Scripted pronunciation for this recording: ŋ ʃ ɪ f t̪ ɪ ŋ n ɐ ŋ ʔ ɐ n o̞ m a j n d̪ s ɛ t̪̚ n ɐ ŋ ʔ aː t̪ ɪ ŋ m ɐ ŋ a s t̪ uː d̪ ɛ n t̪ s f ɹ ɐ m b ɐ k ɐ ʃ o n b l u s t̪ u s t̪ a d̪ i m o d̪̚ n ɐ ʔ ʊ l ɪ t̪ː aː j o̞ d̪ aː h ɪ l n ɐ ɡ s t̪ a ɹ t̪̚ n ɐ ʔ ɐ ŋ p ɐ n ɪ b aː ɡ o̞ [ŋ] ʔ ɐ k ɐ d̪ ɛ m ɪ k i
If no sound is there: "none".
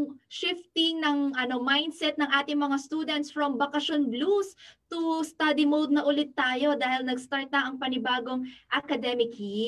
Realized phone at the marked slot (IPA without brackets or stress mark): ŋ